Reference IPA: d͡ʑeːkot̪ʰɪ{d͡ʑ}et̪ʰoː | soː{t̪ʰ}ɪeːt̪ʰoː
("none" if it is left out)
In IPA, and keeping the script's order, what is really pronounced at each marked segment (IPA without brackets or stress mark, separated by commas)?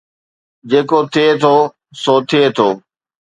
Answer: none, t̪ʰ